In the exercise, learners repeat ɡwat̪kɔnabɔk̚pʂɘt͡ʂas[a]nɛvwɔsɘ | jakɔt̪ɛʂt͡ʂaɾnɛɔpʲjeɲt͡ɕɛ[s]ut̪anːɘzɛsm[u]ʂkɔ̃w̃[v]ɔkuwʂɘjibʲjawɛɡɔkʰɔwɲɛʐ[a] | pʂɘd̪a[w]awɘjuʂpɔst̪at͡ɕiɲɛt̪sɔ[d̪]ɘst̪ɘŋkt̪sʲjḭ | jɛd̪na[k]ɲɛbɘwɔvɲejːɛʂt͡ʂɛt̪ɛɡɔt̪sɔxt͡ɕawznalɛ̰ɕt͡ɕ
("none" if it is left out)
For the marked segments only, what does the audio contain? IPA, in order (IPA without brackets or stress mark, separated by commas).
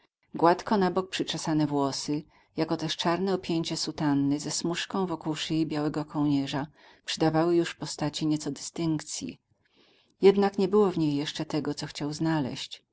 a, s, u, v, a, v, d̪, k